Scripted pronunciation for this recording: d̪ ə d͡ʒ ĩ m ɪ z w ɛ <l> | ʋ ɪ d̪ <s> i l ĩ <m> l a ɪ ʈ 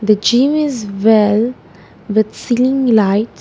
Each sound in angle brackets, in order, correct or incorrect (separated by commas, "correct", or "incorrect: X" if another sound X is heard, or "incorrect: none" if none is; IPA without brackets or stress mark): correct, correct, incorrect: ŋ